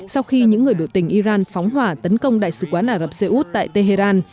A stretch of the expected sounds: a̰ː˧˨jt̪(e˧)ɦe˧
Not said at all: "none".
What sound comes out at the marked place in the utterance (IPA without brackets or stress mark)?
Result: e˧